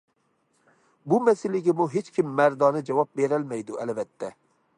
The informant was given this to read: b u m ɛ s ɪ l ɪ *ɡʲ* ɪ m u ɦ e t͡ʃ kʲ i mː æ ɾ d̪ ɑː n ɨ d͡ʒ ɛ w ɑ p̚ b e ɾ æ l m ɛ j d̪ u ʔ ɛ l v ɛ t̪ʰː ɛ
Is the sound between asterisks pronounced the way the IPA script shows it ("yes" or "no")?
yes